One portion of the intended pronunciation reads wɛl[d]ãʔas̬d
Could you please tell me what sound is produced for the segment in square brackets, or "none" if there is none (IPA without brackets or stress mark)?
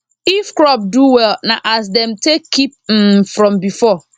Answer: n